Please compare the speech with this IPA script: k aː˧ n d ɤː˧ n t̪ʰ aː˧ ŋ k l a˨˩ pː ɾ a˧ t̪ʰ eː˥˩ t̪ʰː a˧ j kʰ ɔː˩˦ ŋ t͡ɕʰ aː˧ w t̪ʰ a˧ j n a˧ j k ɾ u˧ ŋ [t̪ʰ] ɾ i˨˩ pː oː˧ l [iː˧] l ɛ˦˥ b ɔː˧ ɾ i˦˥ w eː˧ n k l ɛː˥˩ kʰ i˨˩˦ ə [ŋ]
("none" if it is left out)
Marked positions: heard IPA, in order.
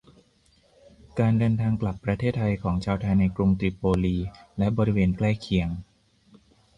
t̪, iː˧, ŋ

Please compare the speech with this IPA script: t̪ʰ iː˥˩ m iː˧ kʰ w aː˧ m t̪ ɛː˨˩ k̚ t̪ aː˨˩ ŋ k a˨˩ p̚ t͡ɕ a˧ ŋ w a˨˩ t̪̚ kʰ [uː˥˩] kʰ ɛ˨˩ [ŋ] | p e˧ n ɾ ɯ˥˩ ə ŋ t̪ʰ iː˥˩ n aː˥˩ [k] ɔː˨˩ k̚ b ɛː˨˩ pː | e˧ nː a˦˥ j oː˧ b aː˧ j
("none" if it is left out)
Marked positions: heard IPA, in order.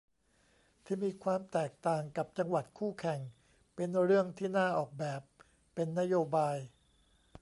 uː˥˩, ŋ, ʔ

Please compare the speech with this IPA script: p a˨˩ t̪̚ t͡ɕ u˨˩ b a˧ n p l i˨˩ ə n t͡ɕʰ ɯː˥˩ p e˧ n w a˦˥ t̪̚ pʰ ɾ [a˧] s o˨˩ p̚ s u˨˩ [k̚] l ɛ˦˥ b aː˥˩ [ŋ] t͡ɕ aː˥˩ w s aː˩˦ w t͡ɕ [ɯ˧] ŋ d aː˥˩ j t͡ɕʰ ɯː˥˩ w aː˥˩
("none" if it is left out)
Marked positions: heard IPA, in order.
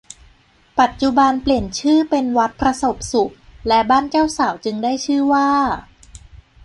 a˧, k̚, n, ɯ˧

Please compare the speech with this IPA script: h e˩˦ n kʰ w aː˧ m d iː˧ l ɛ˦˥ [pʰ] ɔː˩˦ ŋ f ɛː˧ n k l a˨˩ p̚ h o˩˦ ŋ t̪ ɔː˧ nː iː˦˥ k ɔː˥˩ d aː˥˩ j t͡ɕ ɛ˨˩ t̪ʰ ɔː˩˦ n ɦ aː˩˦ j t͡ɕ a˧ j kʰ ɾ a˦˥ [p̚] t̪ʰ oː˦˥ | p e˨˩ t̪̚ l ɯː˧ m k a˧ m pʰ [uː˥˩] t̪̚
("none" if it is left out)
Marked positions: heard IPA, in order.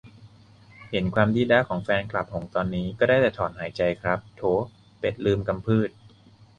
kʰ, p̚, ɯː˥˩

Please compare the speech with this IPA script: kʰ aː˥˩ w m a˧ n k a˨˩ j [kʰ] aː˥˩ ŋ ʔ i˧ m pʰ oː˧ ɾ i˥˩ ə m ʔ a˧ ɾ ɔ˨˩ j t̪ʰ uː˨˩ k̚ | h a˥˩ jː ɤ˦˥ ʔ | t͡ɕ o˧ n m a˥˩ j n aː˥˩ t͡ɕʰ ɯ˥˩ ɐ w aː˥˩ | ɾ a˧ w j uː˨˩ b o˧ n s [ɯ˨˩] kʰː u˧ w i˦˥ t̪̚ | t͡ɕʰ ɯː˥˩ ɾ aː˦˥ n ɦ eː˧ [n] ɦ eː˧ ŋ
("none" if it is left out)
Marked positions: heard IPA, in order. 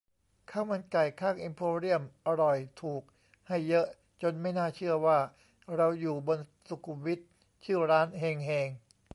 kʰ, u˨˩, ŋ

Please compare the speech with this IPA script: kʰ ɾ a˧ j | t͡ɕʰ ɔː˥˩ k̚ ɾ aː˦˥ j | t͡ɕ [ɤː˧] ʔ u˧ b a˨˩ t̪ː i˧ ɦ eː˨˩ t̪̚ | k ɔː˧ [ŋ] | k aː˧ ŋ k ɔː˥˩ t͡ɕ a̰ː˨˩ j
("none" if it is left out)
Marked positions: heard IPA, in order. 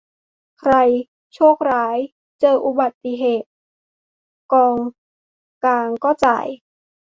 ɤː˧, ŋ

